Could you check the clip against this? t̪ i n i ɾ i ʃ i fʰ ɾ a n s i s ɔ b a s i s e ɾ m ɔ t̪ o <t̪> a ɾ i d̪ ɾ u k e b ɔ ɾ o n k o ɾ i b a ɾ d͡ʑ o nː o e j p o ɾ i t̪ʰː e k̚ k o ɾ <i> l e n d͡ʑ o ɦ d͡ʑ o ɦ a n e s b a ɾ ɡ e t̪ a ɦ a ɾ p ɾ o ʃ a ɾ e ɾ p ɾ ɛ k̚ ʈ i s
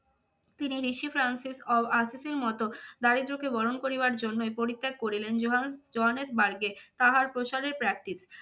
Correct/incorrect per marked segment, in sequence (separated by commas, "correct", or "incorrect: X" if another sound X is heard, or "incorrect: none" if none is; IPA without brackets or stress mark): incorrect: d̪, correct